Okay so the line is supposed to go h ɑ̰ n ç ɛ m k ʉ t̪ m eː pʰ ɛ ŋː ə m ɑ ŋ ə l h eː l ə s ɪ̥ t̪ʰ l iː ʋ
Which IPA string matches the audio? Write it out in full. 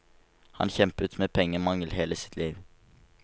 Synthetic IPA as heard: h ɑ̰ n ç ɛ m p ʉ t̪ m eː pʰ ɛ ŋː ə m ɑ ŋ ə l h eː l ə s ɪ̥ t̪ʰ l iː ʋ